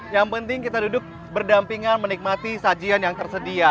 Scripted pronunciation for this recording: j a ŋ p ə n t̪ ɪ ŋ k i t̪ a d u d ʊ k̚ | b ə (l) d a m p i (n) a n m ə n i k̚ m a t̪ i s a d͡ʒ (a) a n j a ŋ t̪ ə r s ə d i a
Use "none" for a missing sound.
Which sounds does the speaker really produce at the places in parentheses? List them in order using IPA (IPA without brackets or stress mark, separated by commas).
r, ŋ, i